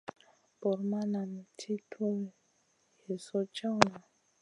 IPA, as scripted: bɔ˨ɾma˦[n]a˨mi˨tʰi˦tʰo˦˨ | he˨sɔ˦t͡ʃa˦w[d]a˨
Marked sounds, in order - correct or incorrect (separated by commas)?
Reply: correct, incorrect